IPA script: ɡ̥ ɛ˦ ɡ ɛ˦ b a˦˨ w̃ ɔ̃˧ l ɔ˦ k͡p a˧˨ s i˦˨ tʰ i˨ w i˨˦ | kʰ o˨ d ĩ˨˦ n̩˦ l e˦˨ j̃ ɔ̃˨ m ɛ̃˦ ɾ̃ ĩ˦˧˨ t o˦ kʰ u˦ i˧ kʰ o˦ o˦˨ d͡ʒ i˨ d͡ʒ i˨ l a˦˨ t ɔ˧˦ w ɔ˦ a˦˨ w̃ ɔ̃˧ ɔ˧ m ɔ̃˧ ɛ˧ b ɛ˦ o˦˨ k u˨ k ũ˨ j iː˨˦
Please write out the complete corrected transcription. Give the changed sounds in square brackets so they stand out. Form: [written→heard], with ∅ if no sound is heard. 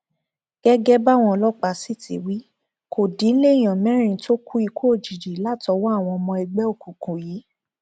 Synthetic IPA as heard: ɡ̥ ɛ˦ ɡ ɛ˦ b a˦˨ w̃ ɔ̃˧ l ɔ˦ k͡p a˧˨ s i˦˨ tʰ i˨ w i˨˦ | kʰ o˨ d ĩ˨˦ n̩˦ l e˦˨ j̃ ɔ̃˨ m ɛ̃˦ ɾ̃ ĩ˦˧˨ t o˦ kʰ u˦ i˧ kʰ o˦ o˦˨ d͡ʒ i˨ d͡ʒ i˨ l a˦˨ t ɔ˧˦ w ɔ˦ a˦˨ w̃ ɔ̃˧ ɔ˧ m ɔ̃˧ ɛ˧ [b→ɡ͡b] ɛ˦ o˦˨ k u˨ k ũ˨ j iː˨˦

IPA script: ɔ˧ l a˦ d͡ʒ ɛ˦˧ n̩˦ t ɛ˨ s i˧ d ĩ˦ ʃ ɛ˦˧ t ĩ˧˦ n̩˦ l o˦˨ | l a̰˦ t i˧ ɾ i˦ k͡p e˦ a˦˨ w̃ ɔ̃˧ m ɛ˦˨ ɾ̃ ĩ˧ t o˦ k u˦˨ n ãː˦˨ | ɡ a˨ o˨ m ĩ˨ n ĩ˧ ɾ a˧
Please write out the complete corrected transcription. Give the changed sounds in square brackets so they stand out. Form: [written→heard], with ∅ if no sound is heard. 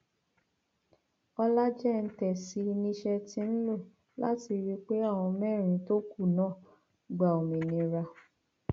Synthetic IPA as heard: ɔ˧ l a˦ d͡ʒ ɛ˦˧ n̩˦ t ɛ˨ s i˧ [d→n] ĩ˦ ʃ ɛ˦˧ t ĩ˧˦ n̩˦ l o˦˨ | l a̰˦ t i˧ ɾ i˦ k͡p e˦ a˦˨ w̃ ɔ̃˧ m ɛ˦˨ ɾ̃ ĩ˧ t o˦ k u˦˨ n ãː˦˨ | [ɡ→ɡ͡b] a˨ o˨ m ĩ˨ n ĩ˧ ɾ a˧

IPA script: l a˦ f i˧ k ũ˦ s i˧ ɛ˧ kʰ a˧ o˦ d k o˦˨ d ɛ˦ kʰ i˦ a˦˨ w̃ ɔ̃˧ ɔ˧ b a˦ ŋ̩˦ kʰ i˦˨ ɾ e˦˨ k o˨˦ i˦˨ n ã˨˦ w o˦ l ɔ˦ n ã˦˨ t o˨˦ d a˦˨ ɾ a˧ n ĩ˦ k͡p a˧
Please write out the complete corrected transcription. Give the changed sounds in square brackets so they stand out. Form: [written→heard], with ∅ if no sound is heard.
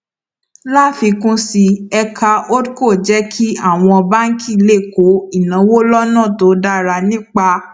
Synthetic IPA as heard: l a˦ f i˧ k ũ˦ s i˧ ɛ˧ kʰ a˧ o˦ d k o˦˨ [d→d͡ʒ] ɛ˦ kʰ i˦ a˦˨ w̃ ɔ̃˧ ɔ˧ b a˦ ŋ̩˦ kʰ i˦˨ [ɾ→l] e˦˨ k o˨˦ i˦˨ n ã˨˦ w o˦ l ɔ˦ n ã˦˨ t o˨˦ d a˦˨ ɾ a˧ n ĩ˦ k͡p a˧

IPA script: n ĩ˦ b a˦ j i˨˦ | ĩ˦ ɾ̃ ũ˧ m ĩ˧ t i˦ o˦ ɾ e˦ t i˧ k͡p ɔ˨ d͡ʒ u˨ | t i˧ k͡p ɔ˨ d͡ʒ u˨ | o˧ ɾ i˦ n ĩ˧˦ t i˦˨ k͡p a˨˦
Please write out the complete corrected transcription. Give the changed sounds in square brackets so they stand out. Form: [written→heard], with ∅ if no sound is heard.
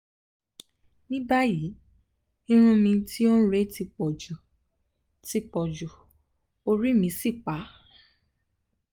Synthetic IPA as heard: n ĩ˦ b a˦ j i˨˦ | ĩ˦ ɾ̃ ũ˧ m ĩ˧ t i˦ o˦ ɾ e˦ t i˧ k͡p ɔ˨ d͡ʒ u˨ | t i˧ k͡p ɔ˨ d͡ʒ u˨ | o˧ ɾ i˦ [n→m] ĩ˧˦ [t→s] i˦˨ k͡p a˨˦

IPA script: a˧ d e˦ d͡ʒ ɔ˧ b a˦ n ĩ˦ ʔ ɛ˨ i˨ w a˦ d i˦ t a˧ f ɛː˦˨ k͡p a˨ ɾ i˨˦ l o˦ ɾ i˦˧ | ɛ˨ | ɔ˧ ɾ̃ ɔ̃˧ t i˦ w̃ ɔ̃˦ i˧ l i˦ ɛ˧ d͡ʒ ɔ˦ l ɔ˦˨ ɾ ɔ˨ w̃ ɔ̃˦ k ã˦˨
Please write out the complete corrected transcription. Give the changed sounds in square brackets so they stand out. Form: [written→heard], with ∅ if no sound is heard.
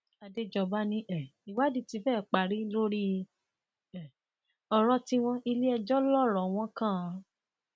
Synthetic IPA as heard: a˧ d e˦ d͡ʒ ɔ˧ b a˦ n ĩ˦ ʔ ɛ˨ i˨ w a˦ d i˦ t [a˧→i˧] f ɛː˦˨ k͡p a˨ ɾ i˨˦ l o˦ ɾ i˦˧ | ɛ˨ | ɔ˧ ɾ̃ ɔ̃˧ t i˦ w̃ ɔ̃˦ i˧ l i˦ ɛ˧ d͡ʒ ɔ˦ l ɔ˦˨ ɾ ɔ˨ w̃ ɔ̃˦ k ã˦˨

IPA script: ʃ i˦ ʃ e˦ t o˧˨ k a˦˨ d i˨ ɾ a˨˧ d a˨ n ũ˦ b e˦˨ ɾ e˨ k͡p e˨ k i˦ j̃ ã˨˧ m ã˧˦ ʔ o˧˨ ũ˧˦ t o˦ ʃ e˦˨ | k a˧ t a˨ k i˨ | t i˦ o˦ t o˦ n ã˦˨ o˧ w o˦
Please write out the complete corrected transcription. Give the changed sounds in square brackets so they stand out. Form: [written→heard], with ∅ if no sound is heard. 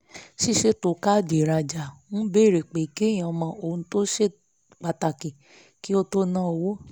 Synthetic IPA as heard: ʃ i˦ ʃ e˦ t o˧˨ k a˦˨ d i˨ ɾ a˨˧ [d→d͡ʒ] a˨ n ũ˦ b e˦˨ ɾ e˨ k͡p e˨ k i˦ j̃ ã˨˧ m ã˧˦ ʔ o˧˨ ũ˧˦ t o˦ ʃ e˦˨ | [k→k͡p] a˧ t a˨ k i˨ | [t→k] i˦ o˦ t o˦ n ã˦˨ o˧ w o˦

